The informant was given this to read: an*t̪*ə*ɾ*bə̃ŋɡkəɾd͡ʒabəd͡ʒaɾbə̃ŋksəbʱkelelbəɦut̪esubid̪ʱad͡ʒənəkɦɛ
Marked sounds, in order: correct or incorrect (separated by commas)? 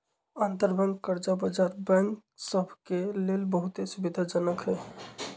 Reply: correct, correct